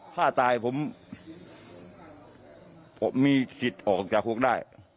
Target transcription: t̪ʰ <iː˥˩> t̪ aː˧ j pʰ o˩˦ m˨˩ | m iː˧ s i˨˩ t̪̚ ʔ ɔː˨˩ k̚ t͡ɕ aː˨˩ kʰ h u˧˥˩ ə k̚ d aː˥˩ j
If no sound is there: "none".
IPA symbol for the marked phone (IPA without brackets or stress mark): aː˥˩